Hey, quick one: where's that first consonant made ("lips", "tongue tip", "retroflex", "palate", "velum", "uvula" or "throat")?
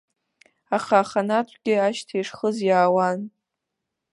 uvula